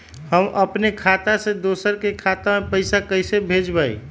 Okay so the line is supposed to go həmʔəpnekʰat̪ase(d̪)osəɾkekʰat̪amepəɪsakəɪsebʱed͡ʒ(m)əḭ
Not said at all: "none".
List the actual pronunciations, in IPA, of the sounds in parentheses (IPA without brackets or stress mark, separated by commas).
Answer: d̪, b